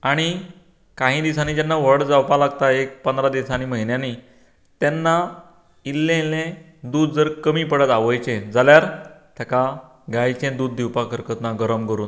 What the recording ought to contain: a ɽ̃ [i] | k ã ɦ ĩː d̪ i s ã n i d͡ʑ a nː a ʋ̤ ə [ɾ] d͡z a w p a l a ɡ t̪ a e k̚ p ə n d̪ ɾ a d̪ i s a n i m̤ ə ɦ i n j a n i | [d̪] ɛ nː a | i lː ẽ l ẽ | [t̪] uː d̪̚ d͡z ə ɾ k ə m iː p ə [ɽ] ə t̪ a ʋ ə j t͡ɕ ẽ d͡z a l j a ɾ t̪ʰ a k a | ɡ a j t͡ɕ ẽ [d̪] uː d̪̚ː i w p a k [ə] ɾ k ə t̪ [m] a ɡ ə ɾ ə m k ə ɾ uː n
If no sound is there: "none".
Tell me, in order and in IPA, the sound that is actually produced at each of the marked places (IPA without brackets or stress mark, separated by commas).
i, ɽ, t̪, d̪, ɽ, d̪, ə, n